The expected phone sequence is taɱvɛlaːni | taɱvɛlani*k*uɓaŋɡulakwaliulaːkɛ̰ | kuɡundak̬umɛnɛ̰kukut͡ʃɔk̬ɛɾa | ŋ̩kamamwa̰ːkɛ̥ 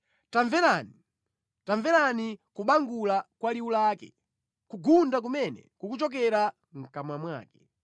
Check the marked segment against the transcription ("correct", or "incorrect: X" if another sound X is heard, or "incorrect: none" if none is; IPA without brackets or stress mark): correct